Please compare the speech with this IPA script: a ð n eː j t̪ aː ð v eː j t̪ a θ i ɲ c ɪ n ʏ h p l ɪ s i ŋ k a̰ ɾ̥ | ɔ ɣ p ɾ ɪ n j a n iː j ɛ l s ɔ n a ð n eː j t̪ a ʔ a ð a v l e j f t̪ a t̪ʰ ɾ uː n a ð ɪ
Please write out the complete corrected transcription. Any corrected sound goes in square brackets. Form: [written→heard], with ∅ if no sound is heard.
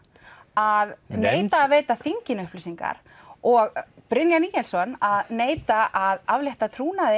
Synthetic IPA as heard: a ð n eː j t̪ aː ð v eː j t̪ a θ i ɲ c ɪ n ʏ h p l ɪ s i ŋ k a̰ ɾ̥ | ɔ ɣ p ɾ ɪ n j a n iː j ɛ l s ɔ n a ð n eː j t̪ a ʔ a ð a v l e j [f→h] t̪ a t̪ʰ ɾ uː n a ð ɪ